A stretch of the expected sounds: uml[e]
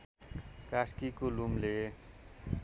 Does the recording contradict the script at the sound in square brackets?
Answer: no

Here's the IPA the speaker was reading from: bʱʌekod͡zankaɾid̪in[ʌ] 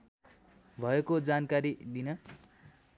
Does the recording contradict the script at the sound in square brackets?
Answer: no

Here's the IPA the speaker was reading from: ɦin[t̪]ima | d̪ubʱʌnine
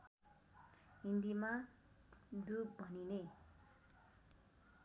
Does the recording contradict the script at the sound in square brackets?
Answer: yes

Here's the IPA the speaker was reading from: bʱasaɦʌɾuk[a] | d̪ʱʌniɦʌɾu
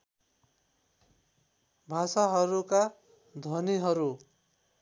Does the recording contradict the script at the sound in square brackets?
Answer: no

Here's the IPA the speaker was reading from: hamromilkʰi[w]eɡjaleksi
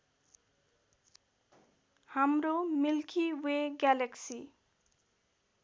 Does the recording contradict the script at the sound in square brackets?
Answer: no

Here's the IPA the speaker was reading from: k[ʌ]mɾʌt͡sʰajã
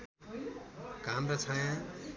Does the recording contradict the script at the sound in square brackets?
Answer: yes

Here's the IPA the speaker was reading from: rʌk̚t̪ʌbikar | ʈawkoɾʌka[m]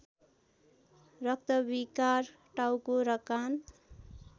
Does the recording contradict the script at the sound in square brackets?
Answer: yes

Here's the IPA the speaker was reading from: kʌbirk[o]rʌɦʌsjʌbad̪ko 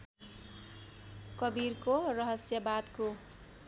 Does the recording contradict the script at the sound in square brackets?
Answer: no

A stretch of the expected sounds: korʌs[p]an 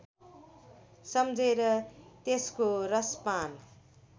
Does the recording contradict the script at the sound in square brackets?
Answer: no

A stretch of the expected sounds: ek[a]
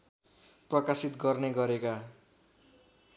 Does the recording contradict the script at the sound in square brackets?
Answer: no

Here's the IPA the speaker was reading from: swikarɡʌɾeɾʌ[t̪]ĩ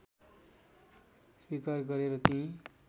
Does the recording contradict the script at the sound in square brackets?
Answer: no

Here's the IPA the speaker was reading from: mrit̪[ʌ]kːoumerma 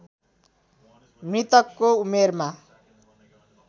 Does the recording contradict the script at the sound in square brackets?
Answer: no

